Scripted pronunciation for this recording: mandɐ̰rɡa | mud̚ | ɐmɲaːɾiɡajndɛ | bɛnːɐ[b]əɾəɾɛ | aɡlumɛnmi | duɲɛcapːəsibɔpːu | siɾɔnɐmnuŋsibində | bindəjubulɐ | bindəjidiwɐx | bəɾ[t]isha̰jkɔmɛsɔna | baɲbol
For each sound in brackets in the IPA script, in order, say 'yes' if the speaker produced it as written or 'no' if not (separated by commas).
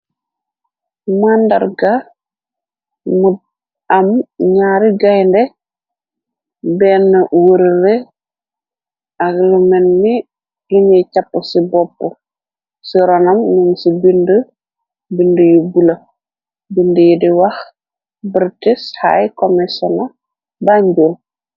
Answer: no, yes